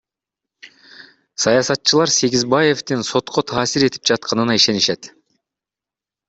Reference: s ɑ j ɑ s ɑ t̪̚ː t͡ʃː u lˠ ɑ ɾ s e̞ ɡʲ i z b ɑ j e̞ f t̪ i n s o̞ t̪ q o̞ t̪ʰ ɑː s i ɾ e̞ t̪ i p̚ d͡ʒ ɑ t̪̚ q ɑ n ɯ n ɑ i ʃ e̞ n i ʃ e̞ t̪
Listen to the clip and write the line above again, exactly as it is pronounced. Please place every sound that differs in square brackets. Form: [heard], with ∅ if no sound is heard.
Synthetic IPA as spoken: s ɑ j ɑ s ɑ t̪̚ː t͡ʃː [ɯ] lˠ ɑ ɾ s e̞ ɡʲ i z b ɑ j e̞ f t̪ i n s o̞ t̪ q o̞ t̪ʰ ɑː s i ɾ e̞ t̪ i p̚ d͡ʒ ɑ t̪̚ q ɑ n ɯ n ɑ i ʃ e̞ n i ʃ e̞ t̪